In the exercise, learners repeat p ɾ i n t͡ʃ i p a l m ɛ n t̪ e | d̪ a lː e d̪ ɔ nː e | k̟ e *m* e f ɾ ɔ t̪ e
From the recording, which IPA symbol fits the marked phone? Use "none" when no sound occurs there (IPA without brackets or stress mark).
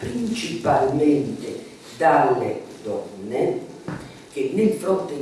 n